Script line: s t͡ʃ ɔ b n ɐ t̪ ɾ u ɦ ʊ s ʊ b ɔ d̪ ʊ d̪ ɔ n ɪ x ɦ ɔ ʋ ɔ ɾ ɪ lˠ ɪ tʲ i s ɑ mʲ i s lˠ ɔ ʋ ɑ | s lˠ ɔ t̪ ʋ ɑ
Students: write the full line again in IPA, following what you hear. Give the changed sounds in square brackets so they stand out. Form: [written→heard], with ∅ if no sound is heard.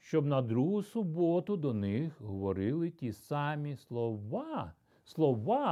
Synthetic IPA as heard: [s→ʃ] t͡ʃ ɔ b n ɐ [t̪→d̪] ɾ u ɦ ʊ s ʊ b ɔ [d̪→t̪] ʊ d̪ ɔ n ɪ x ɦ ɔ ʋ ɔ ɾ ɪ lˠ ɪ tʲ i s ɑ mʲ i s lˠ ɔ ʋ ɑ | s lˠ ɔ [t̪→∅] ʋ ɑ